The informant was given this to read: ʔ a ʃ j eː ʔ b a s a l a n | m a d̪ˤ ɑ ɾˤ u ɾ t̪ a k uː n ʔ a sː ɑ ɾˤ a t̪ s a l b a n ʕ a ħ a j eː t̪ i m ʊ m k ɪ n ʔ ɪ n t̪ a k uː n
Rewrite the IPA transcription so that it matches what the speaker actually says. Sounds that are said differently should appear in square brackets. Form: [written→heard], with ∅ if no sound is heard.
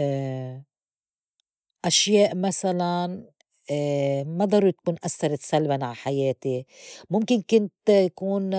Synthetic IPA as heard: ʔ a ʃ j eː ʔ [b→m] a s a l a n | m a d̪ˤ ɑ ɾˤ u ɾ t̪ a k uː n ʔ a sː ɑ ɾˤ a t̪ s a l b a n ʕ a ħ a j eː t̪ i m ʊ m k ɪ n [ʔ→k] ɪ n t̪ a k uː n